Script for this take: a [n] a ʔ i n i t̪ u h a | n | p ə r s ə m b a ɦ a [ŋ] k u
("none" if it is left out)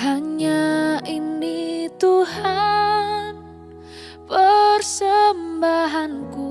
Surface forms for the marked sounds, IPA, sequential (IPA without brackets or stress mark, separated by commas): ɲ, n